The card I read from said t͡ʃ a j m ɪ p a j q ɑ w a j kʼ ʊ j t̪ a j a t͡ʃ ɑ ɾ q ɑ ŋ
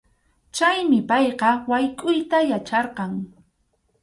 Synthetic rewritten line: t͡ʃ a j m ɪ p ɑ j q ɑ w a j kʼ ʊ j t̪ a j a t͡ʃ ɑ ɾ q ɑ ŋ